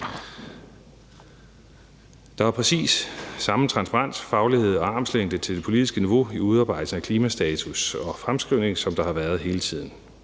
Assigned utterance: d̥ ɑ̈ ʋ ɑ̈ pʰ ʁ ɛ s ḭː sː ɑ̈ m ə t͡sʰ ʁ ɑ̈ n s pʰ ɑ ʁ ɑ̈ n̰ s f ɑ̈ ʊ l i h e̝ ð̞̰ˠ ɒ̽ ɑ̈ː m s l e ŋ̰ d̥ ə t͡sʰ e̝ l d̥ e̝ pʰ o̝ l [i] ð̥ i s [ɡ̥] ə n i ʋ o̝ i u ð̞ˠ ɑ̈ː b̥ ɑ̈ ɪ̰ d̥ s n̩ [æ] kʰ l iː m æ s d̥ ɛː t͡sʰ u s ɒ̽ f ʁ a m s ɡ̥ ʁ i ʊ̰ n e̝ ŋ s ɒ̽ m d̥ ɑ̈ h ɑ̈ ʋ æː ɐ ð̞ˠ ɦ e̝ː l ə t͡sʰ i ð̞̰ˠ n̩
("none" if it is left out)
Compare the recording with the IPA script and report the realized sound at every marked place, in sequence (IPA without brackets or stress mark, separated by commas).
i, ɡ̥, æ